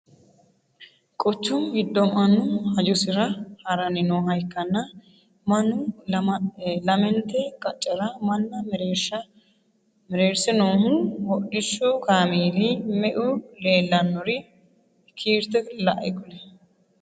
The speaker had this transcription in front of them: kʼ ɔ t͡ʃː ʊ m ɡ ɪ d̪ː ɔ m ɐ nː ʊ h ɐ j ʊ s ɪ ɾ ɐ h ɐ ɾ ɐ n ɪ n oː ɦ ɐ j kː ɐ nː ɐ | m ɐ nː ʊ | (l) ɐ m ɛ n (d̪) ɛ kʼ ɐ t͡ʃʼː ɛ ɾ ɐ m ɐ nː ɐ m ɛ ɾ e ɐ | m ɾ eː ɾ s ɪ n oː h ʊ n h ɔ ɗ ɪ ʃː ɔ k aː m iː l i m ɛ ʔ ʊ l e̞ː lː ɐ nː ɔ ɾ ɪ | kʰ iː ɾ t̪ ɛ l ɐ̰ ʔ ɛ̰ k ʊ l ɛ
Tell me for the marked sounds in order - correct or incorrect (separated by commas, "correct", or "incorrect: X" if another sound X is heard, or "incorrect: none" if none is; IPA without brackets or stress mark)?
correct, incorrect: t̪